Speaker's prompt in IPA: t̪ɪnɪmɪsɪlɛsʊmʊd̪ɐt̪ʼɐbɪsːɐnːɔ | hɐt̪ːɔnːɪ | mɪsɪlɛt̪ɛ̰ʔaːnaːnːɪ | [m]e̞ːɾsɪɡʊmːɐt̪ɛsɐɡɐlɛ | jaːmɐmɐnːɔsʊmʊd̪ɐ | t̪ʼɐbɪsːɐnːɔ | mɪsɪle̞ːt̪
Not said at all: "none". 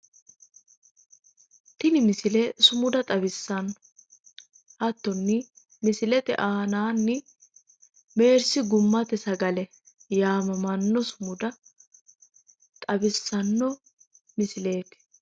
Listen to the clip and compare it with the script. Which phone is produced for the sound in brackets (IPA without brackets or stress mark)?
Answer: m